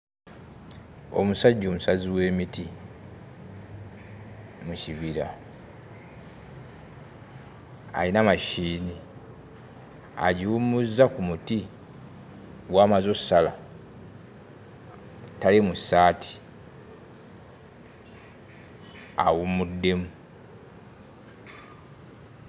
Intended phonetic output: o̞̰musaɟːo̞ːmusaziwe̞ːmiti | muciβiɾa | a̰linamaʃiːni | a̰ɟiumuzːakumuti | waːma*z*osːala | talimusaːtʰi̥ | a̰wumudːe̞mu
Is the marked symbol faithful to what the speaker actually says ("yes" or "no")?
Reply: yes